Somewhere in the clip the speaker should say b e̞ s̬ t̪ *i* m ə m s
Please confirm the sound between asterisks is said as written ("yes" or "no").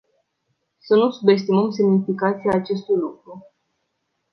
yes